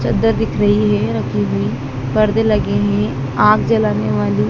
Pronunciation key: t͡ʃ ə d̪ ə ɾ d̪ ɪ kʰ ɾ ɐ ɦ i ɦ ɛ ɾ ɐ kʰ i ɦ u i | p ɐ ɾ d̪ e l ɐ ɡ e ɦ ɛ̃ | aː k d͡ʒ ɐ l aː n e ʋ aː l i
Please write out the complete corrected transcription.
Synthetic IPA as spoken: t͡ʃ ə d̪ ə ɾ d̪ ɪ kʰ ɾ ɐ ɦ i ɦ ɛ ɾ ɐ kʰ i ɦ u i | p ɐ ɾ d̪ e l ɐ ɡ e ɦ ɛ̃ | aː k d͡ʒ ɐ l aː n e ʋ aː l i